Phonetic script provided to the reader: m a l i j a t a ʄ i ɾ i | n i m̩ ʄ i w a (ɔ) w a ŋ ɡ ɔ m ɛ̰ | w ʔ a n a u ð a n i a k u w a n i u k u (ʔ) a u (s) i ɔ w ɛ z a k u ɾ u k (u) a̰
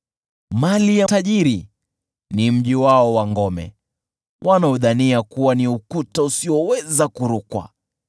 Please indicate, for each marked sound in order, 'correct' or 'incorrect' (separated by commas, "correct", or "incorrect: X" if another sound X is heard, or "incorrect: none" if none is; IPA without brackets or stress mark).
correct, incorrect: t, correct, incorrect: w